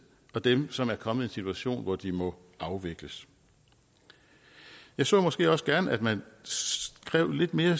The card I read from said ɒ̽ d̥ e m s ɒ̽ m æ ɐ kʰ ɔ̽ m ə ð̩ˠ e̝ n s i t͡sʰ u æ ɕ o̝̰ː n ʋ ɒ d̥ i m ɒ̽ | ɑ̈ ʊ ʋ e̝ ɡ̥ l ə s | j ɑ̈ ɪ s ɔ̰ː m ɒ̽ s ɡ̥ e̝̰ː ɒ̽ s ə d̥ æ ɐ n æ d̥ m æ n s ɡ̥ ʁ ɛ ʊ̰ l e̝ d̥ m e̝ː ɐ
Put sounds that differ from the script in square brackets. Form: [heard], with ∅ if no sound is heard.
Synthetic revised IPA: ɒ̽ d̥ e m s ɒ̽ m æ ɐ kʰ [ɒ̽] m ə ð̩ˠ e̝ n s i t͡sʰ u æ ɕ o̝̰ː n ʋ ɒ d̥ i m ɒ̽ | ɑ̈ ʊ ʋ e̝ ɡ̥ l ə s | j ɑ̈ ɪ s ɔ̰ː m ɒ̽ s ɡ̥ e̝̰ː ɒ̽ s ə [ɡ̥] æ ɐ n æ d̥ m æ n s ɡ̥ ʁ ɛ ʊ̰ l e̝ d̥ m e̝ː ɐ

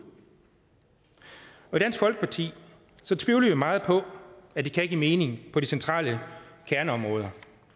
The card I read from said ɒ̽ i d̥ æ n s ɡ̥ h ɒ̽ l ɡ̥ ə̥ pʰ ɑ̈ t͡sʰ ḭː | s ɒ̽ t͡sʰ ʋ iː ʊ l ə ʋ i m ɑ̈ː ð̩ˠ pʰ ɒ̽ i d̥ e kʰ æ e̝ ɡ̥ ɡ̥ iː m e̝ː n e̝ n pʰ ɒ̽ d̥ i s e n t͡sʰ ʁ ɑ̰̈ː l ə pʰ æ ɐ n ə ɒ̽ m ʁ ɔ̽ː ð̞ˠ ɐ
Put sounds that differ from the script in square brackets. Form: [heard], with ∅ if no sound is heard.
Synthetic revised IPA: ɒ̽ i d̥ æ n s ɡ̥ [f] ɒ̽ l ɡ̥ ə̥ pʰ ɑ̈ t͡sʰ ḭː | s ɒ̽ t͡sʰ ʋ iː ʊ l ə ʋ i m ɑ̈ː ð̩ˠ pʰ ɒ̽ [æ] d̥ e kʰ æ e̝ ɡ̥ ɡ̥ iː m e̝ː n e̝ [ŋ] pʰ ɒ̽ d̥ i s e n t͡sʰ ʁ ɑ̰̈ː l ə [kʰ] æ ɐ n ə ɒ̽ m ʁ ɔ̽ː ð̞ˠ ɐ

